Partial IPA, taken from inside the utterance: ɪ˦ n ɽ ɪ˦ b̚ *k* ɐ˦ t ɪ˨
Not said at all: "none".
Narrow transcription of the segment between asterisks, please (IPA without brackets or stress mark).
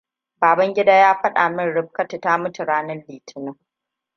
k